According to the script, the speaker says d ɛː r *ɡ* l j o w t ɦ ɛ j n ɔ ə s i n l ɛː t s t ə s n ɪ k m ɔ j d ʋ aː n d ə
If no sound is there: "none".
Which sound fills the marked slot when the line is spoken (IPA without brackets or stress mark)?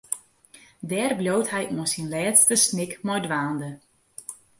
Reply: b